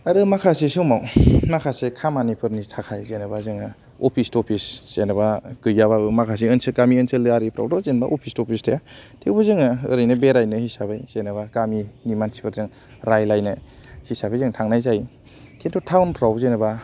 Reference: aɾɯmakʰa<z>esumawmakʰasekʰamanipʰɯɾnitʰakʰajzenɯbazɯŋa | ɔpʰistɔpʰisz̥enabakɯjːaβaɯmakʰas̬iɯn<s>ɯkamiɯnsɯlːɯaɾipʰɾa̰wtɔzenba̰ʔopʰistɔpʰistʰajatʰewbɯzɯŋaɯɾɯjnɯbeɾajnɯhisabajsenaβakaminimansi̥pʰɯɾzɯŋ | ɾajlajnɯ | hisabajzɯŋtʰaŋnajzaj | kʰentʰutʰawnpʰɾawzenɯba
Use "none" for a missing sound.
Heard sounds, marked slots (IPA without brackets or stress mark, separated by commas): s, s